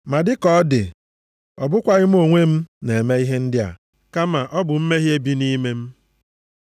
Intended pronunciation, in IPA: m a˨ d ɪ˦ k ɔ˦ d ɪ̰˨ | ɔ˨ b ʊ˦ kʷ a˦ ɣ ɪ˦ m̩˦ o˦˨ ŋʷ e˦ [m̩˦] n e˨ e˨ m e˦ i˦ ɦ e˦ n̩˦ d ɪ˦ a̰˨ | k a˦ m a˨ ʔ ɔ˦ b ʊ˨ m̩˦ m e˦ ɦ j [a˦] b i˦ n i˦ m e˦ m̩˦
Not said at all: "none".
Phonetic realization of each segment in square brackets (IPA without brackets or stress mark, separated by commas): m̩˦, e˦